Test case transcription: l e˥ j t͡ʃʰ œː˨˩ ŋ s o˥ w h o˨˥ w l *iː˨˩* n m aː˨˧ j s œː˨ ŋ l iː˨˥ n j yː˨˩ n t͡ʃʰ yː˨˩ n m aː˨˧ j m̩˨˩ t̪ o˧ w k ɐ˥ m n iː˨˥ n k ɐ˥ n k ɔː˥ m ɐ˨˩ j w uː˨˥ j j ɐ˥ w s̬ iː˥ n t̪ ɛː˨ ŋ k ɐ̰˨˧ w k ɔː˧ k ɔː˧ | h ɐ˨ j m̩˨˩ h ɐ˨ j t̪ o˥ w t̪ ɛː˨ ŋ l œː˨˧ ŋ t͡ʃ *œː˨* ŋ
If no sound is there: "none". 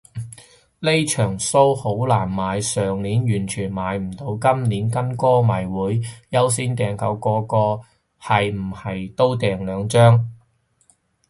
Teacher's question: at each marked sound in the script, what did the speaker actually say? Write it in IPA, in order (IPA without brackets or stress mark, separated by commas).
aː˨˩, œː˥